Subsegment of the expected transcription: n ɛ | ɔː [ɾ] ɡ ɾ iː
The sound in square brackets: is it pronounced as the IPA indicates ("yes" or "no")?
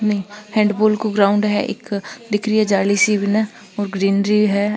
yes